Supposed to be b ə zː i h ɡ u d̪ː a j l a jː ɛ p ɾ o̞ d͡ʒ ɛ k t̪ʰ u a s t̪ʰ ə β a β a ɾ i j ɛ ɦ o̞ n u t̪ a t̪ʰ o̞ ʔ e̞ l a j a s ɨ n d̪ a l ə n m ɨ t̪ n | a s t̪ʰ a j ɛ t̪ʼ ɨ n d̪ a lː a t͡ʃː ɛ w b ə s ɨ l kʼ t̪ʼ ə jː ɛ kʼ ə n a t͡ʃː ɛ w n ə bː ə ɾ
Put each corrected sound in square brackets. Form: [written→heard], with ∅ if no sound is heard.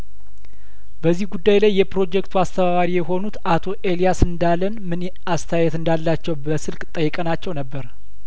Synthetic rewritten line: b ə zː i h ɡ u d̪ː a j l a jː ɛ p ɾ o̞ d͡ʒ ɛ k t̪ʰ u a s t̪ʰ ə β a β a ɾ i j ɛ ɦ o̞ n u t̪ a t̪ʰ o̞ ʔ e̞ l [a→i] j a s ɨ n d̪ a l ə n m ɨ [t̪→∅] n | a s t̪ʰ a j ɛ [t̪ʼ→t̪] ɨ n d̪ a lː a t͡ʃː ɛ w b ə s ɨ l kʼ t̪ʼ ə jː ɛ kʼ ə n a t͡ʃː ɛ w n ə bː ə ɾ